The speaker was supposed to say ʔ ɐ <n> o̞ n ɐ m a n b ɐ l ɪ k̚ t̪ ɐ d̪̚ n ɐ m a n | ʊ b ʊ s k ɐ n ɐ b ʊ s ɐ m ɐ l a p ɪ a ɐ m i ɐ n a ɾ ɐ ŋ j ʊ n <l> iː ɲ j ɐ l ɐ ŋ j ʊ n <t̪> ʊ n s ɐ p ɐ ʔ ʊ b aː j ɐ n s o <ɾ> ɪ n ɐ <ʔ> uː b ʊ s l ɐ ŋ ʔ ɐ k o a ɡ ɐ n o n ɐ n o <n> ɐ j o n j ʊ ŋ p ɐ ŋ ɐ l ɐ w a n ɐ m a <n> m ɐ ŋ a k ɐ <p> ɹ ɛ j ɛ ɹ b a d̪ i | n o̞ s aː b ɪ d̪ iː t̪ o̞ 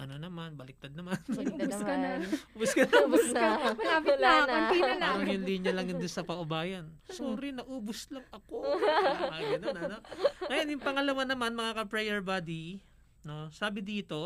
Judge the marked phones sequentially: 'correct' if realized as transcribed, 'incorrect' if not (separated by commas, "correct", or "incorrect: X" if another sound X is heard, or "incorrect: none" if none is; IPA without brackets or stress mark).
correct, correct, incorrect: d̪, correct, correct, incorrect: ŋ, correct, correct